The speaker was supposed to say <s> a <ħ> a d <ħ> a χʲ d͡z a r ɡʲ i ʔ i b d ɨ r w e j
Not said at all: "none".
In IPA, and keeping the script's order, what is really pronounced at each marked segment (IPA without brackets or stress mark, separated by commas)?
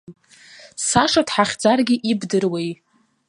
s, ʂ, ħ